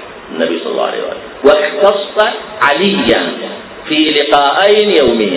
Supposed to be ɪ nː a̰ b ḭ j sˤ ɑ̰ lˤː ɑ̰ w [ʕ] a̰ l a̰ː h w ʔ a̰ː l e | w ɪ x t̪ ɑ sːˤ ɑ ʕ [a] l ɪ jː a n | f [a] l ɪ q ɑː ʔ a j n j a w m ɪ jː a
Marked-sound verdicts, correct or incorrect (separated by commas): correct, correct, incorrect